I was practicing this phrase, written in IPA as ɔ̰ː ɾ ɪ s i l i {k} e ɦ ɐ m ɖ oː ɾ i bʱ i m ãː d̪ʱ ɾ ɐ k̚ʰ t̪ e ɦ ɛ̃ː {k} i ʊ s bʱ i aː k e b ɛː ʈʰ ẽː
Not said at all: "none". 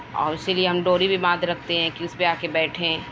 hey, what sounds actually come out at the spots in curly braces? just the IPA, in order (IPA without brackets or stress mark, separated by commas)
none, k